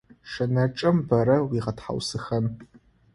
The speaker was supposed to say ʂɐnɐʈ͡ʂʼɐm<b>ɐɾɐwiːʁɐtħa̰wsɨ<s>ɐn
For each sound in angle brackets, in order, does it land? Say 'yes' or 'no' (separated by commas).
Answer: yes, no